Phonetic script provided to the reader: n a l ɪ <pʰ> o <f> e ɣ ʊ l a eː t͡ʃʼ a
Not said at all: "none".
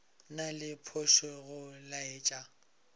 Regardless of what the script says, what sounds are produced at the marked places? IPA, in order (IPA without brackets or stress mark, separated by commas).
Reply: pʰ, ʃ